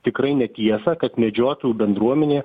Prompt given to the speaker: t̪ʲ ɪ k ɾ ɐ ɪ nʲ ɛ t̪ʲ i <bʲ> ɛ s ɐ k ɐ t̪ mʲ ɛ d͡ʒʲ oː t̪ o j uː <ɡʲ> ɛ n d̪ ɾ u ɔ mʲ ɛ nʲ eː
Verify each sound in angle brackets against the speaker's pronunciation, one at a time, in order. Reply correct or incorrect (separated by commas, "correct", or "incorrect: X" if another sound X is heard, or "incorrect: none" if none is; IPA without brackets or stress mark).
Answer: incorrect: none, incorrect: bʲ